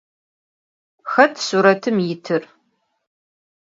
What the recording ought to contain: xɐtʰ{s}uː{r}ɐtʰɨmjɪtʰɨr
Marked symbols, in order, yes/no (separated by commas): yes, no